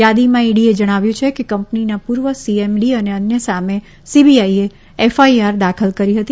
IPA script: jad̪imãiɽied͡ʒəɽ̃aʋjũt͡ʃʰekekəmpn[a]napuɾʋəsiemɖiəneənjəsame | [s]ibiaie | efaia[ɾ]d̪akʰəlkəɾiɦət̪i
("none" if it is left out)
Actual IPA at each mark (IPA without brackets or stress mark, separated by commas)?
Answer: i, s, ɾ